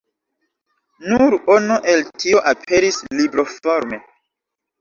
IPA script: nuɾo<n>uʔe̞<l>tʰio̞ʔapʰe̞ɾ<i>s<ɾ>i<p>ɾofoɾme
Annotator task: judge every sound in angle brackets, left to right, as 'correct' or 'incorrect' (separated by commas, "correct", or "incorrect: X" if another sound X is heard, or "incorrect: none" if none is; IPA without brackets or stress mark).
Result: correct, correct, correct, incorrect: l, incorrect: b